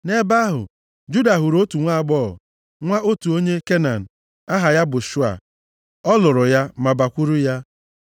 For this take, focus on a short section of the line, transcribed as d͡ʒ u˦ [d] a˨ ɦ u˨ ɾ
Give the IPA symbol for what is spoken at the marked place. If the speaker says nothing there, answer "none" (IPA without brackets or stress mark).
d